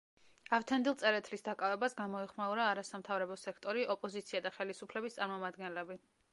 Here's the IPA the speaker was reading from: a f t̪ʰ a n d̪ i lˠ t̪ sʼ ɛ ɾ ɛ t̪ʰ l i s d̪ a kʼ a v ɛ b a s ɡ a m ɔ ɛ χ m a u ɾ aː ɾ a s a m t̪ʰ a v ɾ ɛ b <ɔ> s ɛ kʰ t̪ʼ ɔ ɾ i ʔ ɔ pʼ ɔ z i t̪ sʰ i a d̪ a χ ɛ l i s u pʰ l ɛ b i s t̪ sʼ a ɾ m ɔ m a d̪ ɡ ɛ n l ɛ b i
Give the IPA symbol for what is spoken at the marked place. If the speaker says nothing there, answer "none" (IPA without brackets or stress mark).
ɔ